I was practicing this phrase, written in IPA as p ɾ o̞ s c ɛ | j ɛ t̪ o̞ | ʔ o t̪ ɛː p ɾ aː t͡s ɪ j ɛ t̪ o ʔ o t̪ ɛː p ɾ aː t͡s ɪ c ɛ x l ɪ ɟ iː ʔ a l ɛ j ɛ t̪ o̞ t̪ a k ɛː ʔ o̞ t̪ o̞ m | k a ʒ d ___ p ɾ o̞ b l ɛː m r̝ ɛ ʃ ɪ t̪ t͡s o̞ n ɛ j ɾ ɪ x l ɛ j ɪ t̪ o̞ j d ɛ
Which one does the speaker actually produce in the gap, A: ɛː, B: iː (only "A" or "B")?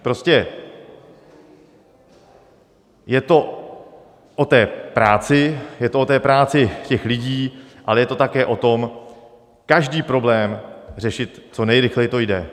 B